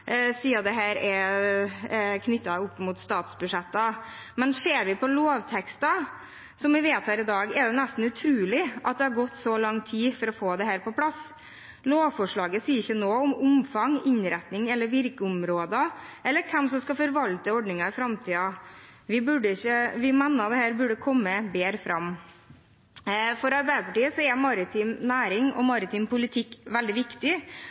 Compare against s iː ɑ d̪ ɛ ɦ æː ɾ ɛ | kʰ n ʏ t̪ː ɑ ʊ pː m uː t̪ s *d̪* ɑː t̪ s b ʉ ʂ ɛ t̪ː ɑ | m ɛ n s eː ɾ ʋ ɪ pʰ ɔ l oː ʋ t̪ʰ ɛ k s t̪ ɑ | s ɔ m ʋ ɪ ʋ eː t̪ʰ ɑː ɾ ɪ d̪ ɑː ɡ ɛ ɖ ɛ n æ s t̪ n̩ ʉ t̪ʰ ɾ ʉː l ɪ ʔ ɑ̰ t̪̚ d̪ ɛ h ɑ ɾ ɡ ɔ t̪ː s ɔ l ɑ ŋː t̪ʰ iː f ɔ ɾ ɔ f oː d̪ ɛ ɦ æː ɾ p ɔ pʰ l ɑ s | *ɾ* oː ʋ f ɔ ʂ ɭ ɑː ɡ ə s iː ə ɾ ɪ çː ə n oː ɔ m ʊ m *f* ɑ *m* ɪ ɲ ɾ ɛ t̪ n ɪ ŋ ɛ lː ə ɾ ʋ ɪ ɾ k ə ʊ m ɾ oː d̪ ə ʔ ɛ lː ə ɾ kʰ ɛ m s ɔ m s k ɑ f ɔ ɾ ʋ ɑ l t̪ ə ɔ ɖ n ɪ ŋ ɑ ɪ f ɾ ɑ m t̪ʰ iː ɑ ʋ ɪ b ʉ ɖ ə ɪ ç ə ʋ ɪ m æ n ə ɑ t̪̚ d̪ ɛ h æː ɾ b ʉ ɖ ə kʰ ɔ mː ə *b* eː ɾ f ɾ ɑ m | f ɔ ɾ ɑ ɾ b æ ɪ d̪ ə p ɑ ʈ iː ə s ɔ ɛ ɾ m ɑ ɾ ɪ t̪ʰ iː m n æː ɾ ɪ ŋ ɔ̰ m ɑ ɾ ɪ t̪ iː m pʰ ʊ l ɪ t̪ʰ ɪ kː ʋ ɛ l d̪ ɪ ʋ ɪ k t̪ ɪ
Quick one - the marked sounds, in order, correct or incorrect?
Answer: incorrect, incorrect, correct, incorrect, correct

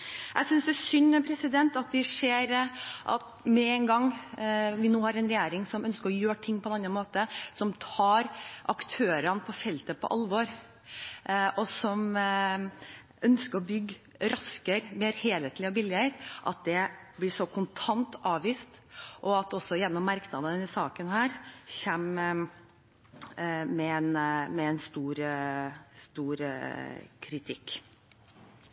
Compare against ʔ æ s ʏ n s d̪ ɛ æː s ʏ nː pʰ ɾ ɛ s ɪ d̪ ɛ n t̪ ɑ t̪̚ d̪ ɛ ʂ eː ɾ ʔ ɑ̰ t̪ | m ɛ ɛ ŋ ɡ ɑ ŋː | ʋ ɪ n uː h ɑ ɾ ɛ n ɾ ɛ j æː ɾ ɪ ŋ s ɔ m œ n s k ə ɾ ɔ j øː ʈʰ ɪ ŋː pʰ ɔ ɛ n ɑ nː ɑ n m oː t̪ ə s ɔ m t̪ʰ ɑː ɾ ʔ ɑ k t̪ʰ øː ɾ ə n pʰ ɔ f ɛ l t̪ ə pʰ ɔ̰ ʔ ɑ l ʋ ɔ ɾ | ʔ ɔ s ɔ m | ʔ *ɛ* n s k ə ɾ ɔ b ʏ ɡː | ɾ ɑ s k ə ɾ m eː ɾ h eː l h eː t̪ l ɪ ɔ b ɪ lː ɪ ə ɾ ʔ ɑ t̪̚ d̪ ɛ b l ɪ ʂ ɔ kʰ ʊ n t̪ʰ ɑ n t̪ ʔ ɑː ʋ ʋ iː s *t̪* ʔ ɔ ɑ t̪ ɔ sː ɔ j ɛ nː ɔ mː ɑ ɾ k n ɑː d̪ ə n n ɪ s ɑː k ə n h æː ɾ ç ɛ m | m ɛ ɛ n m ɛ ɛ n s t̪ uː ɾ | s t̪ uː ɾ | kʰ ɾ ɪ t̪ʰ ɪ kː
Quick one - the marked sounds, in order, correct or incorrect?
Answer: incorrect, correct

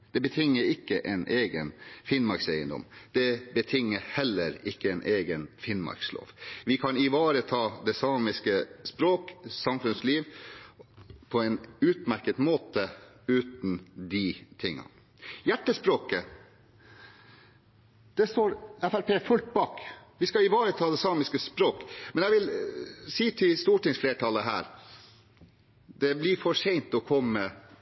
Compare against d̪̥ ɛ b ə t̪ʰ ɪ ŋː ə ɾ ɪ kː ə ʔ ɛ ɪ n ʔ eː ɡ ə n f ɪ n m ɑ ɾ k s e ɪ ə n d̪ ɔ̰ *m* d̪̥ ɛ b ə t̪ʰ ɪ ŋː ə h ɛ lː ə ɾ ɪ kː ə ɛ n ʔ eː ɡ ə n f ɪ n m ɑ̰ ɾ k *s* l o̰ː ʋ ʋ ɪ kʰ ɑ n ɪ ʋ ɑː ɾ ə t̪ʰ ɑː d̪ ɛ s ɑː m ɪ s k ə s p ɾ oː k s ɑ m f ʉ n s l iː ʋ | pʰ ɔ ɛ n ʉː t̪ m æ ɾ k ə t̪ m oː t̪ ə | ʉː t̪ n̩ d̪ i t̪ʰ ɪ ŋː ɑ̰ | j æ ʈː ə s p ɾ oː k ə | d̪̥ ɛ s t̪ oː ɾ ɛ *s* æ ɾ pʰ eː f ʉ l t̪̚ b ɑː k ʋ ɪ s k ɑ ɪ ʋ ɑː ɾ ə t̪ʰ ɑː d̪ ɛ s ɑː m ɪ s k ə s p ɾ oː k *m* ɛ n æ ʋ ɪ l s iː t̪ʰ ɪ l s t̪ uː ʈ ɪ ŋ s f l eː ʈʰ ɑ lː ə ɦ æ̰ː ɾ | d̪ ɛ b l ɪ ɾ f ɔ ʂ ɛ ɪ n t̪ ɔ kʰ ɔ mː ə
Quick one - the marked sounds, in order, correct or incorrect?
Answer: correct, correct, incorrect, correct

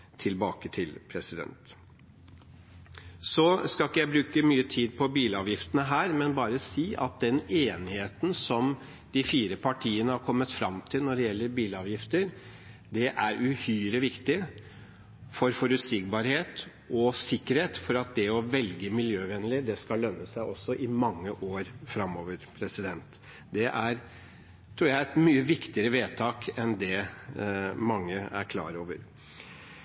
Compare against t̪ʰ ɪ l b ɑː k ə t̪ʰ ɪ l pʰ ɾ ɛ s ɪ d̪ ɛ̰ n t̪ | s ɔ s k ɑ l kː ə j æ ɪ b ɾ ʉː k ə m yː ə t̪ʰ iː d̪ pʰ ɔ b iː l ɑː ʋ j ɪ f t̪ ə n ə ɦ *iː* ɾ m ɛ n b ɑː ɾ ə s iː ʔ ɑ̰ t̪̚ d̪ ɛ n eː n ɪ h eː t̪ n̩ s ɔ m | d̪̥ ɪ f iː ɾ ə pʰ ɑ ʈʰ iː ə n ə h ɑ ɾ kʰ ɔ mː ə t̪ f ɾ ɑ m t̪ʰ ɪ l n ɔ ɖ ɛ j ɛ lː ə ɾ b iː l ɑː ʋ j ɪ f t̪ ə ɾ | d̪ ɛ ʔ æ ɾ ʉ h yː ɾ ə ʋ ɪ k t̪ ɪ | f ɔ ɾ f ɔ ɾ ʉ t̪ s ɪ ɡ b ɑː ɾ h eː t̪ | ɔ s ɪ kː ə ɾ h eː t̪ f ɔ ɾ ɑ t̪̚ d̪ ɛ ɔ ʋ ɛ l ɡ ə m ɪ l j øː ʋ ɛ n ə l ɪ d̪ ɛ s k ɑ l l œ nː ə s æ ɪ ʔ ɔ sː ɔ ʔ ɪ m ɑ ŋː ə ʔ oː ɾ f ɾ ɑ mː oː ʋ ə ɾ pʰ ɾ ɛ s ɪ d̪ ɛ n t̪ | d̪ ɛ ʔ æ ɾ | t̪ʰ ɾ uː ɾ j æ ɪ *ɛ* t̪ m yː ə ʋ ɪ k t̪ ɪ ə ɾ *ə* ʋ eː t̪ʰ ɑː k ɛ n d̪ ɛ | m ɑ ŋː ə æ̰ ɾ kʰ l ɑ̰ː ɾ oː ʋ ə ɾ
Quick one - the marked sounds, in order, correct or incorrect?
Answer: incorrect, correct, correct

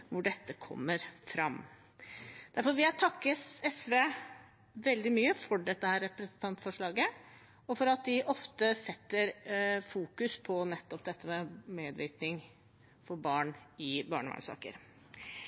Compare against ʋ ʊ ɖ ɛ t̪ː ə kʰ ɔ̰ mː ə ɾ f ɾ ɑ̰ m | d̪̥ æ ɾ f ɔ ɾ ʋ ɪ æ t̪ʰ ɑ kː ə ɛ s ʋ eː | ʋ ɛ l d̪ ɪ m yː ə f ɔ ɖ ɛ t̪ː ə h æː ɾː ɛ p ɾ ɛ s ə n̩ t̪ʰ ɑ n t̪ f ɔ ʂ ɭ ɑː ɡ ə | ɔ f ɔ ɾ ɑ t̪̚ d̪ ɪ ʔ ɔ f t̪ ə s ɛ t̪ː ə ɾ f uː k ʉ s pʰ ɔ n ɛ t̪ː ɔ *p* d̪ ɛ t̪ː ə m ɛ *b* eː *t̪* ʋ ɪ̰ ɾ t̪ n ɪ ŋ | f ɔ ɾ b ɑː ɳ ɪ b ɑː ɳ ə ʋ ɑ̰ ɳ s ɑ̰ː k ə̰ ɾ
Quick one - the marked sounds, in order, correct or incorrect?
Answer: correct, incorrect, incorrect

